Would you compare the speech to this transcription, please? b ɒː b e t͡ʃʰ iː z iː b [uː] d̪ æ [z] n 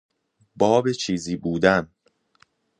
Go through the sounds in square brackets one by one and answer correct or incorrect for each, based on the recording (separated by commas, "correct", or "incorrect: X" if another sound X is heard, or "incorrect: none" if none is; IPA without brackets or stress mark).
correct, incorrect: none